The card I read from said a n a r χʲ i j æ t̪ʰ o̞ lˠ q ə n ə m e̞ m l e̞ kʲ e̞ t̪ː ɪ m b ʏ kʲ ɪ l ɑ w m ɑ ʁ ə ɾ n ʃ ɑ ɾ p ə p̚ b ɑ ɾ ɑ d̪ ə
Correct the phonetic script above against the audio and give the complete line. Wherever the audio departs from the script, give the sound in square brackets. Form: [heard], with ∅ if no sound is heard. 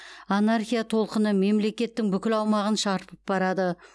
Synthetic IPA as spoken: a n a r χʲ i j [a] t̪ʰ o̞ lˠ q ə n ə m e̞ m l e̞ kʲ e̞ t̪ː ɪ [ŋ] b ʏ kʲ ɪ l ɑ w m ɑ ʁ ə [∅] n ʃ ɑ ɾ p ə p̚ b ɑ ɾ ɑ d̪ ə